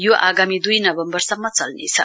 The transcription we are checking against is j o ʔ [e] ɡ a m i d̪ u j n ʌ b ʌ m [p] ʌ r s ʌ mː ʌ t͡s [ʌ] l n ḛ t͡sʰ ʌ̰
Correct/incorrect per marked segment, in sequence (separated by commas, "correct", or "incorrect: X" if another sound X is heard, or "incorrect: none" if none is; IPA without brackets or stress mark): incorrect: a, incorrect: b, correct